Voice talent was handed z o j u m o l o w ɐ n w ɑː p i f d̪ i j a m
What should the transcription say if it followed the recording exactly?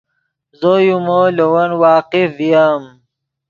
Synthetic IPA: z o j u m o l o w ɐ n w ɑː q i f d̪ i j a m